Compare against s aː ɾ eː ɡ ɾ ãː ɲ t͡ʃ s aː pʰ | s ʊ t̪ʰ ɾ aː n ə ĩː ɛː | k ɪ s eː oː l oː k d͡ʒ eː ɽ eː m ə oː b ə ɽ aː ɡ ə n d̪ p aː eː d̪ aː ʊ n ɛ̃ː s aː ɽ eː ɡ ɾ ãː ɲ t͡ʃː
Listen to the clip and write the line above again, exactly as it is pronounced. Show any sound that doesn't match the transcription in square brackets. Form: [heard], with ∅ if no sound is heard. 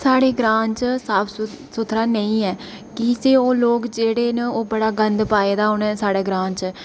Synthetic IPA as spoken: s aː [ɽ] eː ɡ ɾ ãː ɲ t͡ʃ s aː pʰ | s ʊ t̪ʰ ɾ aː n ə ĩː ɛː | k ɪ s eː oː l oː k d͡ʒ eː ɽ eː [n] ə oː b ə ɽ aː ɡ ə n d̪ p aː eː d̪ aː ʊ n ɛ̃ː s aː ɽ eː ɡ ɾ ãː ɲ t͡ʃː